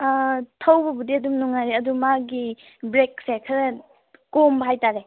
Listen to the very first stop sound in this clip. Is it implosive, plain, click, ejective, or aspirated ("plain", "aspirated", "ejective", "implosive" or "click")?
aspirated